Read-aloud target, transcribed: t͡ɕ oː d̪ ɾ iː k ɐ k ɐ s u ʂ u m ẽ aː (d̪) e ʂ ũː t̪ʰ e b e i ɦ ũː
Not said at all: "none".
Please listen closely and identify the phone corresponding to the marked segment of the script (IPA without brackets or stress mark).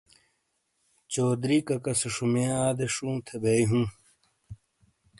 d̪